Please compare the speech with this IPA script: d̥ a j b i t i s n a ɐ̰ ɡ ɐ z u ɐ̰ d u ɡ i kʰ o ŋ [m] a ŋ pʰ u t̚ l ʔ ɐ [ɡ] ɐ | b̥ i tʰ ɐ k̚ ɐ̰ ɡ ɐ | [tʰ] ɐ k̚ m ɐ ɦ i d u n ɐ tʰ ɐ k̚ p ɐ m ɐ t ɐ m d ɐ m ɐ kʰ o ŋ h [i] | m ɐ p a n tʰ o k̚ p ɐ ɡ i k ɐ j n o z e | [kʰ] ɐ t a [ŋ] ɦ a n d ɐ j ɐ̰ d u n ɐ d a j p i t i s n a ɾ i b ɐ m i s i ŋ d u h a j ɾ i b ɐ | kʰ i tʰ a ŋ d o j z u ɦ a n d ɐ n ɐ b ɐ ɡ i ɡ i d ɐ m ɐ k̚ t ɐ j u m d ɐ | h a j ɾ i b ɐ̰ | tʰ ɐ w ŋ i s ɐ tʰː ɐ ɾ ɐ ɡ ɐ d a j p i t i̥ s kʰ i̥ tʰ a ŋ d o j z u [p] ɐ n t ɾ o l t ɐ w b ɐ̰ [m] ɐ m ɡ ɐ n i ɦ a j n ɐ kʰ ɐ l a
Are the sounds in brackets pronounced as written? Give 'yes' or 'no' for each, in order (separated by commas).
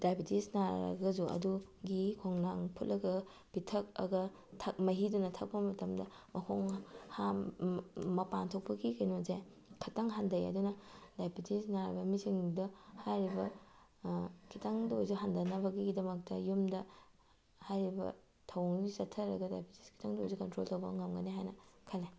no, yes, yes, no, yes, yes, no, no